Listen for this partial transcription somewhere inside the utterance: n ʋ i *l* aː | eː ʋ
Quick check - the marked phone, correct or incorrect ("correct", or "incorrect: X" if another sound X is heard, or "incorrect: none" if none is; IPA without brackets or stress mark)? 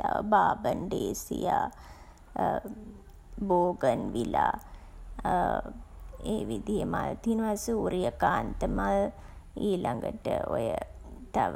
correct